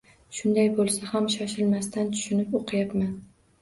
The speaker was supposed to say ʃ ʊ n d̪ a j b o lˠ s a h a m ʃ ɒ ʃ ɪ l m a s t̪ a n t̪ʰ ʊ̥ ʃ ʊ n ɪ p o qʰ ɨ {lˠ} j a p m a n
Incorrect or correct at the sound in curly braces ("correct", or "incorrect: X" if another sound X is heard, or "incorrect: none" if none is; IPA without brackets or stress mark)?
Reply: incorrect: none